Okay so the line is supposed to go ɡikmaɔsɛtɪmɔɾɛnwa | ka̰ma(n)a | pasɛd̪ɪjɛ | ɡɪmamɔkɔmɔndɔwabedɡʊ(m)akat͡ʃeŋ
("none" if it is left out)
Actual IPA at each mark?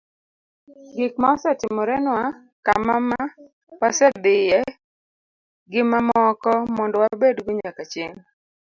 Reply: m, ɲ

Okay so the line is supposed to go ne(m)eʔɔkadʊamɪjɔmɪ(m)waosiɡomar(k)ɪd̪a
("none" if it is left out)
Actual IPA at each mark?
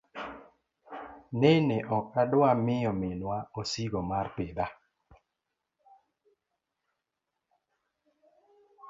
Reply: n, n, p

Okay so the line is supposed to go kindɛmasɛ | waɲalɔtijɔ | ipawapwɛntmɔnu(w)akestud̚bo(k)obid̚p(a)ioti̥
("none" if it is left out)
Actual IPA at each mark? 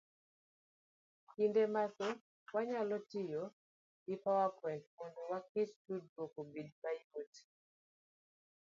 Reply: w, k, a

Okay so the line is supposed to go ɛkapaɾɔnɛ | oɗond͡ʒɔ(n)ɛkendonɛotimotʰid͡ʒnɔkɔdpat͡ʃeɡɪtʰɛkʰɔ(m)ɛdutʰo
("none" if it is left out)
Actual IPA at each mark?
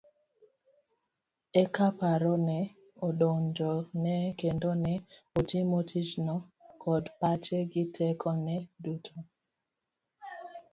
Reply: n, n

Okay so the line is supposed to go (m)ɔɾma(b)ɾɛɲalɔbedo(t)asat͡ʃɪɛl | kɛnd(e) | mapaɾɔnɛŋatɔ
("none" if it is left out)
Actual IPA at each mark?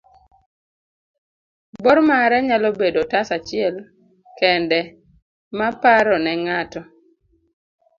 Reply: b, none, t, ɛ

